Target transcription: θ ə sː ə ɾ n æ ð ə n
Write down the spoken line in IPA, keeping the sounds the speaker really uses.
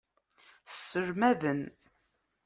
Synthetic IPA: θ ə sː ə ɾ m æ ð ə n